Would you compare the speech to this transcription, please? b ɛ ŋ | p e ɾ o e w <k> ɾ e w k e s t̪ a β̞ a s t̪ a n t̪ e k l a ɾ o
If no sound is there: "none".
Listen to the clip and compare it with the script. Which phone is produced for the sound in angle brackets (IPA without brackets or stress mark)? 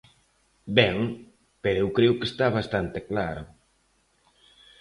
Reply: k